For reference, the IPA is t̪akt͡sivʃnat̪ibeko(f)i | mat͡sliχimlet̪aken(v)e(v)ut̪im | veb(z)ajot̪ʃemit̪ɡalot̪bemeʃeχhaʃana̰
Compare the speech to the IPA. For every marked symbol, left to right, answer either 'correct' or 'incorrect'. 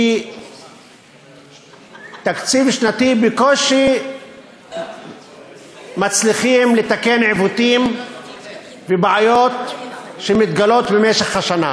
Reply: incorrect, incorrect, correct, incorrect

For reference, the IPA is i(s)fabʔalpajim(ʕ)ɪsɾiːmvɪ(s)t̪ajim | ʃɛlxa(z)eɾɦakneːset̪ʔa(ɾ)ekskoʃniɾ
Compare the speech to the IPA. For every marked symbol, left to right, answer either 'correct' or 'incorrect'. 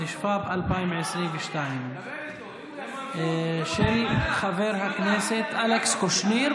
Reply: incorrect, correct, incorrect, incorrect, incorrect

